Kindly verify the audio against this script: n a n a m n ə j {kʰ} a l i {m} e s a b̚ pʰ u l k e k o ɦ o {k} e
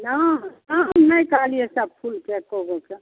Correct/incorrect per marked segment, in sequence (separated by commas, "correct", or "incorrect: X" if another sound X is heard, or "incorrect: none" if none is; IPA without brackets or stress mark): incorrect: k, incorrect: none, correct